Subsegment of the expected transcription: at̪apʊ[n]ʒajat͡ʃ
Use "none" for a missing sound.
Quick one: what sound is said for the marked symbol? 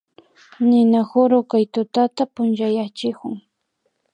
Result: n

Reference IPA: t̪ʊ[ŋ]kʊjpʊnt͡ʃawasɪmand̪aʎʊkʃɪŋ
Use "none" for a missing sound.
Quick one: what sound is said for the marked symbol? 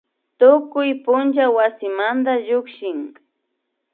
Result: none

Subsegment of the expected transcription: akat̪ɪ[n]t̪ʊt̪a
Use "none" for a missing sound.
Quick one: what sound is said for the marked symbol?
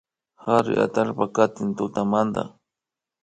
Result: n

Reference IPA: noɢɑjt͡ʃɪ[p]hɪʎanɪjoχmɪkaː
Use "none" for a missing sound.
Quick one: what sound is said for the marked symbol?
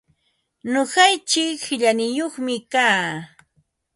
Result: k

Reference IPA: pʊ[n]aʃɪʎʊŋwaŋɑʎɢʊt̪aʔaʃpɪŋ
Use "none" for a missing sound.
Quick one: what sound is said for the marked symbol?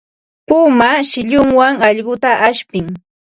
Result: m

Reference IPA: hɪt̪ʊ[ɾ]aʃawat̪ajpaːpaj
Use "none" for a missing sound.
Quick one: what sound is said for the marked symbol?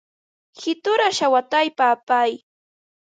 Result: ɾ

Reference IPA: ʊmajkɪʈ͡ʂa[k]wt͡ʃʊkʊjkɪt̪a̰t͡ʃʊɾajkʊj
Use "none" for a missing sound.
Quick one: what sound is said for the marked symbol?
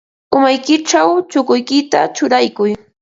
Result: none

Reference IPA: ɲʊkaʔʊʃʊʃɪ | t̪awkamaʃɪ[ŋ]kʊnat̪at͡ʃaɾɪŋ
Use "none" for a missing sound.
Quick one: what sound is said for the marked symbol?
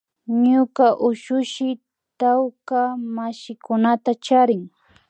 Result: none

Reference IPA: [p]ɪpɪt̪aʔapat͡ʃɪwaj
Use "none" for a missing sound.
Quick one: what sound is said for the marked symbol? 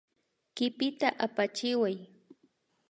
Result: k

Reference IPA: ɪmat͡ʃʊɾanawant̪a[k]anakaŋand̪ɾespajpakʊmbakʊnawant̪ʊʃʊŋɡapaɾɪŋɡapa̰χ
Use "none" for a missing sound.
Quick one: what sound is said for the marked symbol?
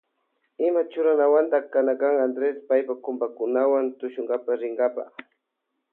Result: k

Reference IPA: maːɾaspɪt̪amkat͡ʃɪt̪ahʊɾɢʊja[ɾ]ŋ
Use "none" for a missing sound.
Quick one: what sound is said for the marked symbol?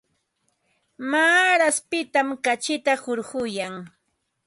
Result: none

